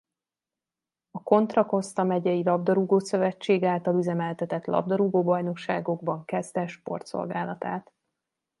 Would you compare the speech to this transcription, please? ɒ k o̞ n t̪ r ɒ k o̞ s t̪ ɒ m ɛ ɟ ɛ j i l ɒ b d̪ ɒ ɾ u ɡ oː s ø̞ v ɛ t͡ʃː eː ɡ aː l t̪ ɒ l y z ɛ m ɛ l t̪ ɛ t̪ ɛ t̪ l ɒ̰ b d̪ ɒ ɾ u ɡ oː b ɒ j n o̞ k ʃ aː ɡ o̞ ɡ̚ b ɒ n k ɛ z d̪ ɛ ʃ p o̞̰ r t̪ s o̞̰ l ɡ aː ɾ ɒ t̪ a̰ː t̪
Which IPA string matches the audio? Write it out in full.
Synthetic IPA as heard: ɒ k o̞ n t̪ r ɒ k o̞ s t̪ ɒ m ɛ ɟ ɛ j i l ɒ b d̪ ɒ ɾ u ɡ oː s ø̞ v ɛ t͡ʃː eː ɡ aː l t̪ ɒ l y z ɛ m ɛ l t̪ ɛ t̪ ɛ t̪ l ɒ̰ b d̪ ɒ ɾ u ɡ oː b ɒ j n o̞ k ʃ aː ɡ o̞ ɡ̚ b ɒ ŋ k ɛ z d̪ ɛ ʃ p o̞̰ r t̪ s o̞̰ l ɡ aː l ɒ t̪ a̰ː t̪